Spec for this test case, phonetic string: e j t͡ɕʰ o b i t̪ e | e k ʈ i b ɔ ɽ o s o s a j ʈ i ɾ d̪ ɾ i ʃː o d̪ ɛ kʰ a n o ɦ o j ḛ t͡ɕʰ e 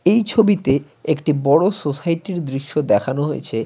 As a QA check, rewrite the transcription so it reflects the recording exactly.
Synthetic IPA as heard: e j t͡ɕʰ o b i t̪ e | e k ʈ i b ɔ ɽ o s o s a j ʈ i ɾ d̪ ɾ i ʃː o d̪ ɛ kʰ a n o ɦ o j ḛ t͡ɕʰ e